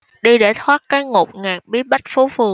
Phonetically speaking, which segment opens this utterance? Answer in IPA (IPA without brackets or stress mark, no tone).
ɗ